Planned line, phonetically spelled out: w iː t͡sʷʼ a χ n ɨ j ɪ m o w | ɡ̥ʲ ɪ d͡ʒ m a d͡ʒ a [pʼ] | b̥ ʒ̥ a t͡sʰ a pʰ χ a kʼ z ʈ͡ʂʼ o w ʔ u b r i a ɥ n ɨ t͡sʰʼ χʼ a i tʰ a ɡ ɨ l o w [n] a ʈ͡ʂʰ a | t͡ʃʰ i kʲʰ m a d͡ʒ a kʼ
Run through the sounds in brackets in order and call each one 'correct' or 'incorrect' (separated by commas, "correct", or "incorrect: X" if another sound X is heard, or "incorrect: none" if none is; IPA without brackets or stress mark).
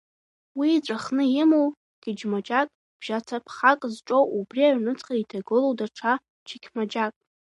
incorrect: kʼ, incorrect: d